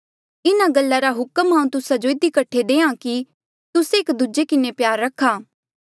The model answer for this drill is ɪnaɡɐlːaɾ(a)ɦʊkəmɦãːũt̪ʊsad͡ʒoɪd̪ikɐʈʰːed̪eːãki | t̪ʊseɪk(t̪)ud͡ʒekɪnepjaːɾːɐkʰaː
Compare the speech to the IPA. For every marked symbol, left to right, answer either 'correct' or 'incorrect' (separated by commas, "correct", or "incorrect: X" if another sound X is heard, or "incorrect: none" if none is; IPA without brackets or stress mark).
correct, incorrect: d̪